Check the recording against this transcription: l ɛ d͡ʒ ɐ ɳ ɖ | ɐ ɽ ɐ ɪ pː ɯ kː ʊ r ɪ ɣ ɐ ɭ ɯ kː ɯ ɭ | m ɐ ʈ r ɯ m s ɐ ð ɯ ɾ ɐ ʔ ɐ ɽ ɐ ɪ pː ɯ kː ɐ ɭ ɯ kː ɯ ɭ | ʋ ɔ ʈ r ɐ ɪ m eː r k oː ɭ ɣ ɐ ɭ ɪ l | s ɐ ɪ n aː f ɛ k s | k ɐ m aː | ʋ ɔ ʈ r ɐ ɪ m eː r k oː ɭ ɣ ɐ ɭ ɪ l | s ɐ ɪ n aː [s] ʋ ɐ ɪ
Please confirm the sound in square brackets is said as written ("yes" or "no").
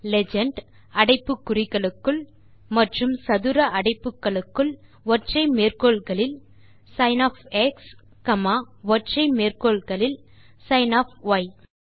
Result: no